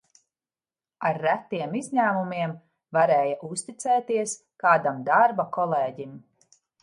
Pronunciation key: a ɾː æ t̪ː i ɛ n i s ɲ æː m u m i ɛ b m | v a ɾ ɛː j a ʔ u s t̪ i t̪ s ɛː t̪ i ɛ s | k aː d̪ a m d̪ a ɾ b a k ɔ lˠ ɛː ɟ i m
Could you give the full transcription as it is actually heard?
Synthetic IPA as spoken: a ɾː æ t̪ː i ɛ m i z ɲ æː m u m i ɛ m | v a ɾ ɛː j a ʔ u s t̪ i t̪ s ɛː t̪ i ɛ s | k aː d̪ a m d̪ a ɾ b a k ɔ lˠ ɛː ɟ i m